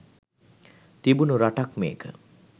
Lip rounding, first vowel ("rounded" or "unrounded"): unrounded